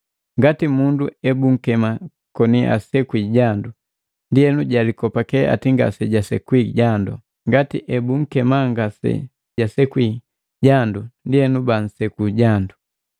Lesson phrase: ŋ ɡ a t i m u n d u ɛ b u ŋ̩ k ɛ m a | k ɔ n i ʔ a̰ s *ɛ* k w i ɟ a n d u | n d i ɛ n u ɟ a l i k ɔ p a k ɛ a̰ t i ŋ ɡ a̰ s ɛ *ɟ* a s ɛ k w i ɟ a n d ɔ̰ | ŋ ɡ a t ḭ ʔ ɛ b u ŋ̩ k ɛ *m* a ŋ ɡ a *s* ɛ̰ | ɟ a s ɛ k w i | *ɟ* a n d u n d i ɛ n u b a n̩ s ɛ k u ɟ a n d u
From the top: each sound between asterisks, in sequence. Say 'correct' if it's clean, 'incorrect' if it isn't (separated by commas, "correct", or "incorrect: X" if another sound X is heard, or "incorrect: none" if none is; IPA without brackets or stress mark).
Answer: correct, correct, correct, correct, correct